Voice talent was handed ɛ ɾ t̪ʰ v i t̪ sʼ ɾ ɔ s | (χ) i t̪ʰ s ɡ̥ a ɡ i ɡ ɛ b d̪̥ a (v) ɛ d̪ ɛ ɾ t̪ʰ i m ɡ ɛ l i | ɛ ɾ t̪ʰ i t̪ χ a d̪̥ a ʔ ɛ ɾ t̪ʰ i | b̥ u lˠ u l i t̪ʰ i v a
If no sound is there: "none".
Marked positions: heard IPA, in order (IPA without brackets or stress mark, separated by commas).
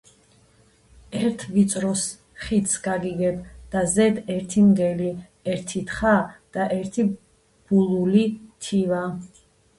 χ, z